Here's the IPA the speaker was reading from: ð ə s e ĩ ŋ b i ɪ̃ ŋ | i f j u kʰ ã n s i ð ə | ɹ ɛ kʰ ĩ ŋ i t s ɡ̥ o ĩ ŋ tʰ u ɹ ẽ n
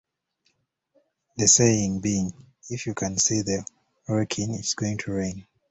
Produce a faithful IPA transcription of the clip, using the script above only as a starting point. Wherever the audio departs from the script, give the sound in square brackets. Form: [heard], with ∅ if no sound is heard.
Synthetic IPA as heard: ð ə s e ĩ ŋ b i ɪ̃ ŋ | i f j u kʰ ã n s i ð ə | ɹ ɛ kʰ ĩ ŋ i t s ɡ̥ o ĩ ŋ tʰ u ɹ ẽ n

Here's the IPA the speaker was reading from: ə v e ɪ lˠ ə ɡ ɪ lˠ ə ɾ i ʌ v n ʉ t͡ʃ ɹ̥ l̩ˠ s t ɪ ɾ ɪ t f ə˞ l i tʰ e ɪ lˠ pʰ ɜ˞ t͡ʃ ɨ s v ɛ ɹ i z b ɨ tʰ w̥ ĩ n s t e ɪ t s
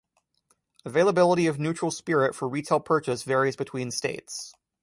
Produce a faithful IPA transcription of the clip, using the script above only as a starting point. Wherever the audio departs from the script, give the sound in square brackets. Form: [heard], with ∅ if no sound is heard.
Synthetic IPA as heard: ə v e ɪ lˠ ə [b] ɪ lˠ ə ɾ i ʌ v n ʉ t͡ʃ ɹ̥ l̩ˠ s [p] ɪ [ɹ] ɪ t f ə˞ [ɹ] i tʰ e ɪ lˠ pʰ ɜ˞ t͡ʃ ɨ s v ɛ ɹ i z b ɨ tʰ w̥ ĩ n s t e ɪ t s

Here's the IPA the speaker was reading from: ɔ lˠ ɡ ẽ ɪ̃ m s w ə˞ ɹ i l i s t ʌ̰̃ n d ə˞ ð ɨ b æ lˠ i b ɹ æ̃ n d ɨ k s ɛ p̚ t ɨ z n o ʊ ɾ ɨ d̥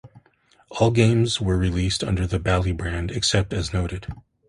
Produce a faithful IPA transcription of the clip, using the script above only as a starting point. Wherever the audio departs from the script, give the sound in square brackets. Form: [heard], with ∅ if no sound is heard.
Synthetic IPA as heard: ɔ lˠ ɡ ẽ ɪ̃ m [z] w ə˞ ɹ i l i s t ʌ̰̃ n d ə˞ ð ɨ b æ lˠ i b ɹ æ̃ n d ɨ k s ɛ p̚ t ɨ z n o ʊ ɾ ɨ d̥

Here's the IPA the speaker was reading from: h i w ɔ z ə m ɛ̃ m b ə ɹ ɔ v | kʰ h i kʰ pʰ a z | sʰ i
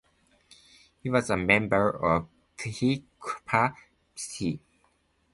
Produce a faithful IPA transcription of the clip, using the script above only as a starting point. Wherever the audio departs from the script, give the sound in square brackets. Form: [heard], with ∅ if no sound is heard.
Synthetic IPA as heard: h i w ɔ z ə m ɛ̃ m b ə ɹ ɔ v | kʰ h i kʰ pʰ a [∅] | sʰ i

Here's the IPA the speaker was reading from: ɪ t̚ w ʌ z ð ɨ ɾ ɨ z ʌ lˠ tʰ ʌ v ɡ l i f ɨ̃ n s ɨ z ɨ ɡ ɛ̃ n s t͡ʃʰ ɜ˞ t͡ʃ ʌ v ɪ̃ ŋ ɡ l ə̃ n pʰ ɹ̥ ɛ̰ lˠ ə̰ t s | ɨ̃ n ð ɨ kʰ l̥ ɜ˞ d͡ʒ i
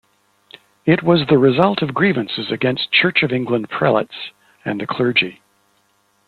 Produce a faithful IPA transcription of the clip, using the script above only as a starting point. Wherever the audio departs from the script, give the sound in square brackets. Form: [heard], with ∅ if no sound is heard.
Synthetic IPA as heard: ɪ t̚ w ʌ z ð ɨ [ɹ] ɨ z ʌ lˠ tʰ ʌ v ɡ [ɹ] i [v] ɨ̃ n s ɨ z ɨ ɡ ɛ̃ n s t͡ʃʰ ɜ˞ t͡ʃ ʌ v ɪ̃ ŋ ɡ l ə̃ n pʰ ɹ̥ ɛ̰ lˠ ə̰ t s | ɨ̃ n ð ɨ kʰ l̥ ɜ˞ d͡ʒ i

